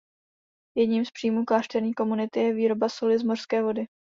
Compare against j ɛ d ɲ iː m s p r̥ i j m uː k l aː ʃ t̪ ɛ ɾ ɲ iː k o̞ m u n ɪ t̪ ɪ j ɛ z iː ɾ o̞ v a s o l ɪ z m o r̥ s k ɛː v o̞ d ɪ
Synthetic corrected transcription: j ɛ d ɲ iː m s p r̥ i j m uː k l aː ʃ t̪ ɛ ɾ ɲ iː k o̞ m u n ɪ t̪ ɪ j ɛ v iː ɾ o̞ b a s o l ɪ z m o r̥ s k ɛː v o̞ d ɪ